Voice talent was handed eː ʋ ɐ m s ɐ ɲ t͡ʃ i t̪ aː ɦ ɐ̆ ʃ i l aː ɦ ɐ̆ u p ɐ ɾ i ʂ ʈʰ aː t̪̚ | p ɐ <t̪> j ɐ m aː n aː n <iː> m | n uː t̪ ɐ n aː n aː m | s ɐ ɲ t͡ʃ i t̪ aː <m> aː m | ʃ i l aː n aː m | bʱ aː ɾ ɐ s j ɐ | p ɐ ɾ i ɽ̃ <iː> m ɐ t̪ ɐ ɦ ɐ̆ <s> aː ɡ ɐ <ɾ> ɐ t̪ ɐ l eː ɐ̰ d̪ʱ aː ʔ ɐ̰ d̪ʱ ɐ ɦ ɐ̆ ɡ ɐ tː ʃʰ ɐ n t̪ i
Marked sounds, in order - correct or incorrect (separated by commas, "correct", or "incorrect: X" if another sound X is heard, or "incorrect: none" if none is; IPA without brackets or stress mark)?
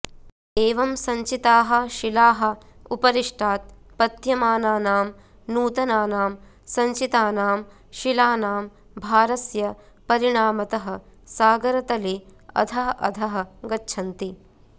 correct, incorrect: aː, incorrect: n, incorrect: aː, correct, correct